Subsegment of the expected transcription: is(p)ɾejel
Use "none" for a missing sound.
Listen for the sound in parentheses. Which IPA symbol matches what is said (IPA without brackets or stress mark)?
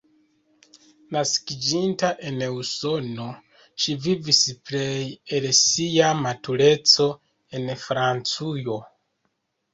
p